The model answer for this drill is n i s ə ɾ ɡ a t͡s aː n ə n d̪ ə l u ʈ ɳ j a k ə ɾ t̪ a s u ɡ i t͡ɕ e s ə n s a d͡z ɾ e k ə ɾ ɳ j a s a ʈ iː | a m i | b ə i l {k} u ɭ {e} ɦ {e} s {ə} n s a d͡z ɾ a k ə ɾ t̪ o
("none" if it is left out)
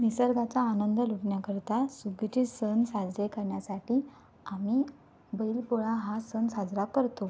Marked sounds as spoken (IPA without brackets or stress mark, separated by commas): p, a, a, ə